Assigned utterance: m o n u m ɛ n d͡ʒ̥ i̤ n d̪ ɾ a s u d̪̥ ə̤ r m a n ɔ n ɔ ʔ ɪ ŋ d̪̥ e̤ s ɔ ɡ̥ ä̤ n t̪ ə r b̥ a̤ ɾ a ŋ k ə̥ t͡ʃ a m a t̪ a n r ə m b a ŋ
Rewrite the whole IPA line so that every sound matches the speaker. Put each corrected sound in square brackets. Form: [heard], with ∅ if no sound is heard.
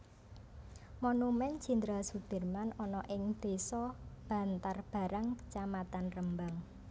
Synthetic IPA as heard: m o n u m ɛ n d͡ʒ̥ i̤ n d̪ ɾ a s u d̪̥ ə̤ r m a n ɔ n ɔ ʔ ɪ ŋ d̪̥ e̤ s ɔ [b̥] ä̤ n t̪ [a] r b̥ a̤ ɾ a ŋ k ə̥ t͡ʃ a m a t̪ a n r ə m b a ŋ